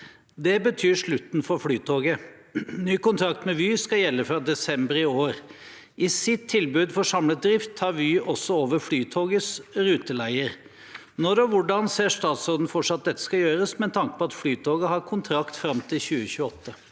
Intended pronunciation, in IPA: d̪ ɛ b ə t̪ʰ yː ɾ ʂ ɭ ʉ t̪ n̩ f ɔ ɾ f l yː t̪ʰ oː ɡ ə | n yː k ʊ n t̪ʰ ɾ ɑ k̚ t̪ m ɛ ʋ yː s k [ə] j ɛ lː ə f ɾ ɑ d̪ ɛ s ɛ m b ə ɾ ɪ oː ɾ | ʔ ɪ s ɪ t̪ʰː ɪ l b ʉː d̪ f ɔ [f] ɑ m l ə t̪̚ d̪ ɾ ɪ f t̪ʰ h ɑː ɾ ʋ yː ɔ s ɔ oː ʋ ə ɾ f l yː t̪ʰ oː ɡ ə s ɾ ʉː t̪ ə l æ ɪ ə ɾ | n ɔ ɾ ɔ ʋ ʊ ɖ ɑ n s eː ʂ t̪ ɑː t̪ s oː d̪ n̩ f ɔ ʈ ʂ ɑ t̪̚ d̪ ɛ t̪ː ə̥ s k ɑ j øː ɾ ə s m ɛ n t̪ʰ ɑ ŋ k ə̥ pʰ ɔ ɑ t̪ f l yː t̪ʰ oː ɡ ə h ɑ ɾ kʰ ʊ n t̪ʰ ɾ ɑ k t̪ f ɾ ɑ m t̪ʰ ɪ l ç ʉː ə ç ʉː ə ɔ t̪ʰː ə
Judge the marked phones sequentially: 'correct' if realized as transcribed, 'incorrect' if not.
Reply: incorrect: ɑ, incorrect: ʂ

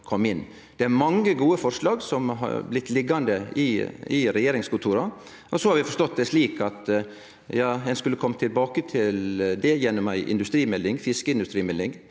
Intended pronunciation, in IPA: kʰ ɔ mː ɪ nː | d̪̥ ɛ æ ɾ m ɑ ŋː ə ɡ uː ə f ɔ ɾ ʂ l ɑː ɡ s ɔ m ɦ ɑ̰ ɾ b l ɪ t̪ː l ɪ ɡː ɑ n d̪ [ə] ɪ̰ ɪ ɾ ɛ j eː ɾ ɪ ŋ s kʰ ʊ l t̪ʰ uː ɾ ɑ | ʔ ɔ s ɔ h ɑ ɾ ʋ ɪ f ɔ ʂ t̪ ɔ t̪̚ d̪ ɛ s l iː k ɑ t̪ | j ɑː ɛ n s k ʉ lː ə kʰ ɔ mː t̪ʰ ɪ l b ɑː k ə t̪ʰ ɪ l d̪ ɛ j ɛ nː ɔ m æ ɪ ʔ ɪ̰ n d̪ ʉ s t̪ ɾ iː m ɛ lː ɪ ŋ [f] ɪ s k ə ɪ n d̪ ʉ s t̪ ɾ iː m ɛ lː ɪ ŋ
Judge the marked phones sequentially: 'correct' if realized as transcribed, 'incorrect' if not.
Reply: correct, correct

